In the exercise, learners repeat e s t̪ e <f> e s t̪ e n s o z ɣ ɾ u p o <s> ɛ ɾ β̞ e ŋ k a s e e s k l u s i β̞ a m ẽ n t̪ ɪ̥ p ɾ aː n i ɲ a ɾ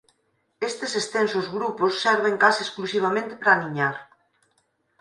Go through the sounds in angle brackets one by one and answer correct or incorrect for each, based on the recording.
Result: incorrect, incorrect

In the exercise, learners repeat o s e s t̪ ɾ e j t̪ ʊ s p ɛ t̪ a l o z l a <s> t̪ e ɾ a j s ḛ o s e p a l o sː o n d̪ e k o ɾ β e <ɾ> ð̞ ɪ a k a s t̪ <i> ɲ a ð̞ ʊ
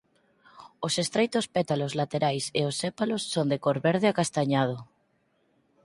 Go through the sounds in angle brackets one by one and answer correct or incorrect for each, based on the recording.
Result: incorrect, correct, incorrect

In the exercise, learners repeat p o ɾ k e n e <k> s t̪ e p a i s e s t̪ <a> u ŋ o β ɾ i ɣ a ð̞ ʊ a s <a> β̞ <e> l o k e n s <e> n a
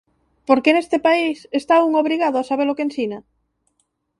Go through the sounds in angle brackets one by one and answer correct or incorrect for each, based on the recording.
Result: incorrect, correct, correct, correct, incorrect

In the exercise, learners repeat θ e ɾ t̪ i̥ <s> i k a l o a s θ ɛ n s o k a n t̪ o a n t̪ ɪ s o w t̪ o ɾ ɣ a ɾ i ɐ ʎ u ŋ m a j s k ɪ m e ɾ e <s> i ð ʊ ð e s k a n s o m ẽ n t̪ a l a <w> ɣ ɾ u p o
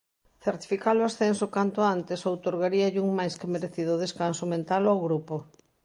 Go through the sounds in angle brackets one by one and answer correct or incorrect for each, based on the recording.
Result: incorrect, incorrect, correct

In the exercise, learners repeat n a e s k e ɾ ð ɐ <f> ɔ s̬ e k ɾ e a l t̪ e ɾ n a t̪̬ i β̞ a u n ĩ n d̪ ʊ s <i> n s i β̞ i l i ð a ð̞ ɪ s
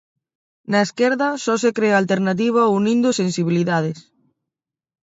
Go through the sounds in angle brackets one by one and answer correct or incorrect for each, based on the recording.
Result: incorrect, incorrect

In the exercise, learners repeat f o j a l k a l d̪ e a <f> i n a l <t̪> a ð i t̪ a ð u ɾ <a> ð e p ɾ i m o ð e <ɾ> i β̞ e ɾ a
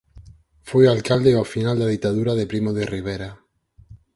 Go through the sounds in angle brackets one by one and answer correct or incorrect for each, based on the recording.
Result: correct, incorrect, correct, incorrect

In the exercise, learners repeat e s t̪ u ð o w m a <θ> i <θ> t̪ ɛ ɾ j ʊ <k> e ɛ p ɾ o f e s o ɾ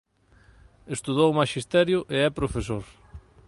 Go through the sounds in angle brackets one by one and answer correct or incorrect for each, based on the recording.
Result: incorrect, incorrect, incorrect

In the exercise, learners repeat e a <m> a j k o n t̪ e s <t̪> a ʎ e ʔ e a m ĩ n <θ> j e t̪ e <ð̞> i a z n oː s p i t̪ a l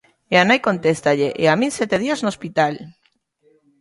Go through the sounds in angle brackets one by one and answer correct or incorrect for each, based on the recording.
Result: incorrect, correct, incorrect, correct

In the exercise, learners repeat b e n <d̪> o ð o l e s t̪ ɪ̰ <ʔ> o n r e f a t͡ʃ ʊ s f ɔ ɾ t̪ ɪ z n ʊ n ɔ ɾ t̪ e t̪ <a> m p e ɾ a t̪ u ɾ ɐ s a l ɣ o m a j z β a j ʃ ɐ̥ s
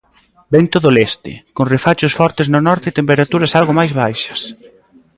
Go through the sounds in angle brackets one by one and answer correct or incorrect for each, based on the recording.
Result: incorrect, incorrect, incorrect

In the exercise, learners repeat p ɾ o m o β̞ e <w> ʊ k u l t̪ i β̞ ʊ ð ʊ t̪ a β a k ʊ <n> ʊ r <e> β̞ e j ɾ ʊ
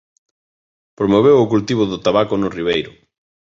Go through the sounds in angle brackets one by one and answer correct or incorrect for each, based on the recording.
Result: correct, correct, incorrect

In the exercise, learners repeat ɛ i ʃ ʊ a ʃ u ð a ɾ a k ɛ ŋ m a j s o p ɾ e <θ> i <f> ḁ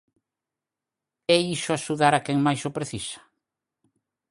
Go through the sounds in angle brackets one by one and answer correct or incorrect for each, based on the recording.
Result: correct, incorrect

